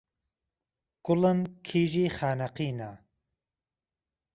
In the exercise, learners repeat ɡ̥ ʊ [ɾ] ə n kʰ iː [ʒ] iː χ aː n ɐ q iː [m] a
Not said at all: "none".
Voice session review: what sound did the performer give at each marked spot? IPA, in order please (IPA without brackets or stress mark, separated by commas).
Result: l, ʒ, n